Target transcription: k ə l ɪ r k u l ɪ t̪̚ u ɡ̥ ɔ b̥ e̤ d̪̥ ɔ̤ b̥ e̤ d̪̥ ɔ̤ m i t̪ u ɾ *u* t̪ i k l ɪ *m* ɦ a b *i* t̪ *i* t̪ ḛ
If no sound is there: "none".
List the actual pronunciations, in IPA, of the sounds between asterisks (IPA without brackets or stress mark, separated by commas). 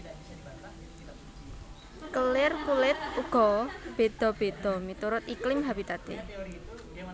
ʊ, m, i, a